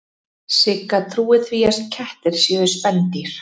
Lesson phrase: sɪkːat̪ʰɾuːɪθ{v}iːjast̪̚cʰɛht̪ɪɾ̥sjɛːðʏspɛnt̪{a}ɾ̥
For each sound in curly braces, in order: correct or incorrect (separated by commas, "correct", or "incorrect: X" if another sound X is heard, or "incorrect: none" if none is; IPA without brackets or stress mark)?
correct, incorrect: i